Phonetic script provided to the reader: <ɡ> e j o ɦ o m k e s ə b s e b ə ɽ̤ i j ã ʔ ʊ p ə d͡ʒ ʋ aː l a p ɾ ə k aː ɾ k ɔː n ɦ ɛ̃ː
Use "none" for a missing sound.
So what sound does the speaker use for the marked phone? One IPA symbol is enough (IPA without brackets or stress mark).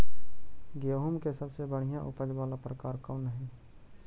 ɡ